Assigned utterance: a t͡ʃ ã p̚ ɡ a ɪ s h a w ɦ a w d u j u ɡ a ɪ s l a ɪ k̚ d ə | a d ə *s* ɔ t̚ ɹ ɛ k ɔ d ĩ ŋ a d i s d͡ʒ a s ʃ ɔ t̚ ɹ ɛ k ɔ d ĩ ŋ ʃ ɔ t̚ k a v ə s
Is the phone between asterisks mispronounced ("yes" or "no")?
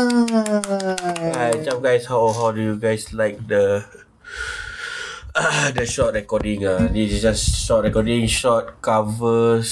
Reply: yes